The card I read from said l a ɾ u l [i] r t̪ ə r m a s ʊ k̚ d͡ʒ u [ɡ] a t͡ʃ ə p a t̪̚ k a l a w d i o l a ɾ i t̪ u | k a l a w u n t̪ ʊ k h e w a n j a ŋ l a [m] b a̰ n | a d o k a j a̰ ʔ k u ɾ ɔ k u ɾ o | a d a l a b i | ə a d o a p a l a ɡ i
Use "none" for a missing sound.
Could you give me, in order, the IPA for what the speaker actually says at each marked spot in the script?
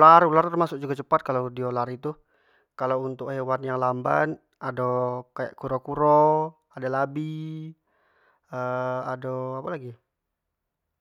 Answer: a, ɡ, m

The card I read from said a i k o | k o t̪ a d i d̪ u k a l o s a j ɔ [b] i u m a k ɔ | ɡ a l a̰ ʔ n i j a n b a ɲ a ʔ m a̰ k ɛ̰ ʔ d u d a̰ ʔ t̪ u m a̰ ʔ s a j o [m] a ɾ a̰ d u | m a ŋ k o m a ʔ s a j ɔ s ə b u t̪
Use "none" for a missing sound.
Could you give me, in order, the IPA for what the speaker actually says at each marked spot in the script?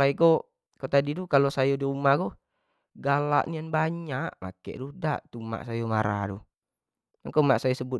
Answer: d, m

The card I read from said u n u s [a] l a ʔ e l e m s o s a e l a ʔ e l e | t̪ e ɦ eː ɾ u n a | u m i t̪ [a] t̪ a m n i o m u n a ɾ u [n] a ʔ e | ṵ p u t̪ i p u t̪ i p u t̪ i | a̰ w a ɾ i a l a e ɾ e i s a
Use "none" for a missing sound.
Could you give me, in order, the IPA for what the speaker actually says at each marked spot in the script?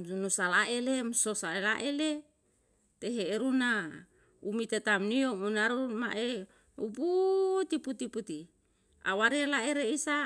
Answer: a, e, m

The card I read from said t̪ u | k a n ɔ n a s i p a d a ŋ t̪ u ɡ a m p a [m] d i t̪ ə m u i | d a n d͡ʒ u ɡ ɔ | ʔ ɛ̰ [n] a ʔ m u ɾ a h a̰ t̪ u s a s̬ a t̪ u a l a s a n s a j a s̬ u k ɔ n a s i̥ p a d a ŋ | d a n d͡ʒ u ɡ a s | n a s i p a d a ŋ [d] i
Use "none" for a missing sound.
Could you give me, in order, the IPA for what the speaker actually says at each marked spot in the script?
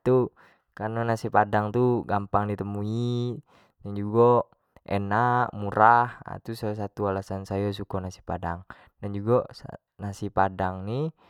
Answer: ŋ, n, n

